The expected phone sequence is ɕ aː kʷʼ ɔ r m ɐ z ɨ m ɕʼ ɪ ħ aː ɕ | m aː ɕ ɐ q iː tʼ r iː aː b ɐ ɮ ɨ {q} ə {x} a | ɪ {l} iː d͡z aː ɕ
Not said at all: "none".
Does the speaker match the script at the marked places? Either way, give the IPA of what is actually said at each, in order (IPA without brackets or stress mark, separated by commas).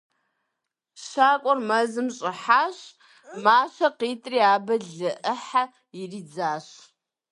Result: ʔ, ħ, r